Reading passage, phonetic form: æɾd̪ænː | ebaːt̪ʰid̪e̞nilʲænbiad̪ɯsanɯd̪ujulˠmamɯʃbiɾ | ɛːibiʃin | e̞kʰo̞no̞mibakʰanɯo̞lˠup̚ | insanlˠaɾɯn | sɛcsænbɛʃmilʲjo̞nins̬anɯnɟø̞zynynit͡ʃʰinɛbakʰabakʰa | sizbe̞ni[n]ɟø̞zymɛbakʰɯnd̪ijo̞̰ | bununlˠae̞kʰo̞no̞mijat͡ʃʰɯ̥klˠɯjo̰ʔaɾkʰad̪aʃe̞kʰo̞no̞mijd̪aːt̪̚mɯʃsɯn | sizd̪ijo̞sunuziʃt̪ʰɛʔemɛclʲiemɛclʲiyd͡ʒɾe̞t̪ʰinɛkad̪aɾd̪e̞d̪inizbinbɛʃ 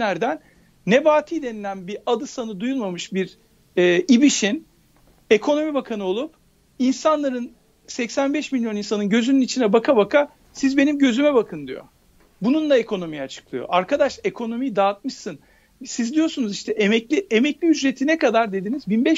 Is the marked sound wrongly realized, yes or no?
yes